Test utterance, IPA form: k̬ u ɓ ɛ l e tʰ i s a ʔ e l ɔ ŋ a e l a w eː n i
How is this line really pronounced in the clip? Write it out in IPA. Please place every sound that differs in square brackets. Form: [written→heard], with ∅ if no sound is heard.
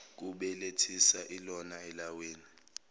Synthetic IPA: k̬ u ɓ ɛ l e tʰ i s a ʔ [e→i] l ɔ [ŋ→n] a [e→ɛ] l a w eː n i